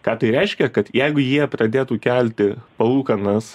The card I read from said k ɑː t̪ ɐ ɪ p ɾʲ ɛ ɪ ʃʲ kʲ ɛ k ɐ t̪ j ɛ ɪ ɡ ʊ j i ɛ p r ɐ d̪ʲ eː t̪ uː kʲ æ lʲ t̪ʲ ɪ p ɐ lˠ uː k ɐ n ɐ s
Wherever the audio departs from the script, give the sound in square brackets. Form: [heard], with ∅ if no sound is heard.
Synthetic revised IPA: k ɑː t̪ ɐ ɪ [∅] ɾʲ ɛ ɪ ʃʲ kʲ ɛ k ɐ t̪ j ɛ ɪ ɡ ʊ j i ɛ p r ɐ d̪ʲ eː t̪ uː kʲ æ lʲ t̪ʲ ɪ p ɐ lˠ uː k ɐ n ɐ s